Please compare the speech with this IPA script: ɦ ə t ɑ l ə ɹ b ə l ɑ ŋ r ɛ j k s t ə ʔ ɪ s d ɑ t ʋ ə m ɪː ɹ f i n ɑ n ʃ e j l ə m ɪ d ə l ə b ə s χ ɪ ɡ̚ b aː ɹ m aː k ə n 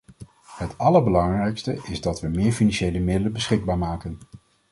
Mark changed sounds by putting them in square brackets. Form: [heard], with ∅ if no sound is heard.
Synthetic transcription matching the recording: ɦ ə t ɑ l ə ɹ b ə l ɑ ŋ r ɛ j k s t ə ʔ ɪ [z] d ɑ t ʋ ə m ɪː ɹ f i n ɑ n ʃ e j l ə m ɪ d ə l ə b ə s χ ɪ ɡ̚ b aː ɹ m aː k ə n